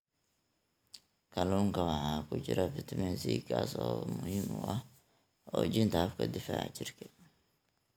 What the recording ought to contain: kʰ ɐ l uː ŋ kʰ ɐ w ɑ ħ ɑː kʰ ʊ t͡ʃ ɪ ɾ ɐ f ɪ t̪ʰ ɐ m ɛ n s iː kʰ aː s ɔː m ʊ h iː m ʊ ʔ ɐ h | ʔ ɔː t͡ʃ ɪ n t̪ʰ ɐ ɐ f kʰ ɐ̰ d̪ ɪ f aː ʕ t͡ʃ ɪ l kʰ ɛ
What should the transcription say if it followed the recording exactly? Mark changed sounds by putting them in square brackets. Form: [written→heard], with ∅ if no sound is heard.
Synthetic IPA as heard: kʰ ɐ l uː ŋ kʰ ɐ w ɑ ħ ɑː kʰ ʊ t͡ʃ ɪ ɾ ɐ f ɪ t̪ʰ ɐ m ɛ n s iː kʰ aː s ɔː m ʊ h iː m ʊ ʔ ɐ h | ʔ ɔː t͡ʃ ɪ n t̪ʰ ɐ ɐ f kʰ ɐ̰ d̪ ɪ f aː ʕ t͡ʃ ɪ [l→r] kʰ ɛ